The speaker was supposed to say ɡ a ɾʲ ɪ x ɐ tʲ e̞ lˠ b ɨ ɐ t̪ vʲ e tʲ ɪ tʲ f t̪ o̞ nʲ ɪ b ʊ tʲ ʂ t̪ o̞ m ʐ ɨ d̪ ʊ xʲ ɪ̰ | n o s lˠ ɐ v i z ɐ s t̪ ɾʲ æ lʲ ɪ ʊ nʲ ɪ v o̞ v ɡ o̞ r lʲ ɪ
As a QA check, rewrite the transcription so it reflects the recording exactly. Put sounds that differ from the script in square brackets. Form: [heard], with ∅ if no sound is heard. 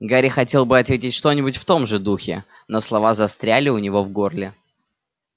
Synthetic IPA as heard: ɡ a ɾʲ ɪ x ɐ tʲ e̞ lˠ b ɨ ɐ t̪ vʲ e tʲ ɪ tʲ [ʂ] t̪ o̞ nʲ ɪ b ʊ tʲ [f] t̪ o̞ m ʐ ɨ d̪ [u] xʲ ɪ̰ | n o s lˠ ɐ v [a] z ɐ s t̪ ɾʲ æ lʲ ɪ ʊ nʲ ɪ v o̞ v ɡ o̞ r lʲ ɪ